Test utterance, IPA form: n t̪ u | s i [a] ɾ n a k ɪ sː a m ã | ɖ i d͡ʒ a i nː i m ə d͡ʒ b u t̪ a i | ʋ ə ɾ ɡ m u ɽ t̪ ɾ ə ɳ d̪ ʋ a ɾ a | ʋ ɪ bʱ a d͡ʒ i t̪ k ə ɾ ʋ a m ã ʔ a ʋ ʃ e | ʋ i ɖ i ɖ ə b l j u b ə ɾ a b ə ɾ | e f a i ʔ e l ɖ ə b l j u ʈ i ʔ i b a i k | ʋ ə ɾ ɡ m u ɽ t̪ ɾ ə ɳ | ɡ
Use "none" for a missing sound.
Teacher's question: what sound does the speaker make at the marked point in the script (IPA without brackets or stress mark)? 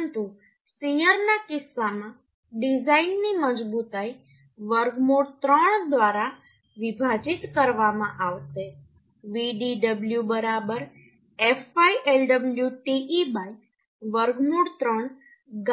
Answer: ə